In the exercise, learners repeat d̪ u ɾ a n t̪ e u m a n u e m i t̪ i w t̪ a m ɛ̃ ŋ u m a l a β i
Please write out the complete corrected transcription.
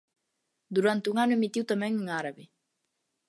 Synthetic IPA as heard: d̪ u ɾ a n t̪ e u ŋ a n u e m i t̪ i w t̪ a m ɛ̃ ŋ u ŋ a ɾ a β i